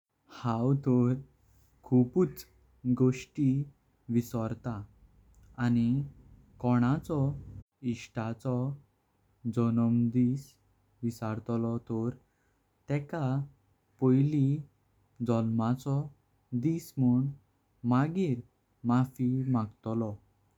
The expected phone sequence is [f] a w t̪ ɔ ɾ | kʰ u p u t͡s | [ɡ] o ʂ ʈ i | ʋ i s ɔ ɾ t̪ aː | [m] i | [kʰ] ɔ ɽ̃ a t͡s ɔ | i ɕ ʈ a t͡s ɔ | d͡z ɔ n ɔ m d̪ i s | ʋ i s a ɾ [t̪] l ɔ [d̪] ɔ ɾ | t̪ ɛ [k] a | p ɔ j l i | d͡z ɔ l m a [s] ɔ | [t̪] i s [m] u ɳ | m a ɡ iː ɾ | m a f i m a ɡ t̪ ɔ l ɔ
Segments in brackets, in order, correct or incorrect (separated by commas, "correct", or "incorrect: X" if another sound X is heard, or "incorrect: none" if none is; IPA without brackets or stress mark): incorrect: h, correct, incorrect: n, incorrect: k, correct, incorrect: t̪, correct, incorrect: t͡s, incorrect: d̪, correct